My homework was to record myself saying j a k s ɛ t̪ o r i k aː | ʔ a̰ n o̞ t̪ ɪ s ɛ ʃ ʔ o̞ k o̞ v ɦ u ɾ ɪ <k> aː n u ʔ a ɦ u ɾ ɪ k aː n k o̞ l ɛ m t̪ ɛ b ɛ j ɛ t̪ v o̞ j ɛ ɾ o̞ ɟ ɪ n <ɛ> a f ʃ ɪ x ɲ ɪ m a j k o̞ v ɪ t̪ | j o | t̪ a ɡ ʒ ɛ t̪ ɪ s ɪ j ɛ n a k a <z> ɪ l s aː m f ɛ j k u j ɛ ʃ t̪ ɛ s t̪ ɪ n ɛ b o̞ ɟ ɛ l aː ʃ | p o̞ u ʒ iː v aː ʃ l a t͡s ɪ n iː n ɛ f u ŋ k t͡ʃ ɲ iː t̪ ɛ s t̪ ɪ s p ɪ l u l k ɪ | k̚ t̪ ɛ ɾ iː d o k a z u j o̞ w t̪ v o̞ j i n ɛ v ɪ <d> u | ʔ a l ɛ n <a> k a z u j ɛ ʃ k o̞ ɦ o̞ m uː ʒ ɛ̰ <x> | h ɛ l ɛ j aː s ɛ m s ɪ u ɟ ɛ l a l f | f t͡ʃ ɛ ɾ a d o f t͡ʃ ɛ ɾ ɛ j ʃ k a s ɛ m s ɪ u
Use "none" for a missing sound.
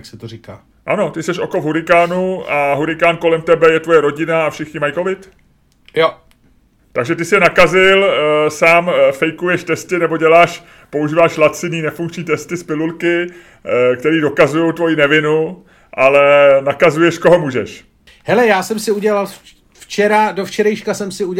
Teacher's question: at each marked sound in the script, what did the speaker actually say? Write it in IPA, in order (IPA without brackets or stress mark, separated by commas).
k, a, z, n, a, ʃ